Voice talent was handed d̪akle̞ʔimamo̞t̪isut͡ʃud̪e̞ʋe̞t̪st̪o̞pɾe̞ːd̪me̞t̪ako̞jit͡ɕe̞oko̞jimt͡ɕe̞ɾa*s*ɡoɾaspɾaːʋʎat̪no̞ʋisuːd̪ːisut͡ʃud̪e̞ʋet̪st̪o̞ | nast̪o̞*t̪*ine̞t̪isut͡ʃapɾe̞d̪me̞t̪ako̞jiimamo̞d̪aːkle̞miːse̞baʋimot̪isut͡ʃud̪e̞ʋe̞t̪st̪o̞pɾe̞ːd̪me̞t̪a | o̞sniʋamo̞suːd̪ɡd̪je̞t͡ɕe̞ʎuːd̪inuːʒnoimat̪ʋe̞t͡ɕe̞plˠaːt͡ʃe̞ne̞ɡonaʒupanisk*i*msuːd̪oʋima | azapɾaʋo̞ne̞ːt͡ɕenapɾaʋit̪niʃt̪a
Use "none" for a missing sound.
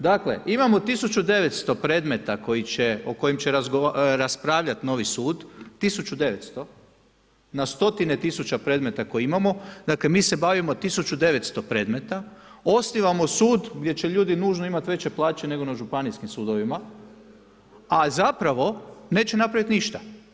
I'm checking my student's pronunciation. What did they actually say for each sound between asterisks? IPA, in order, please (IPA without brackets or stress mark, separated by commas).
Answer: z, t̪, i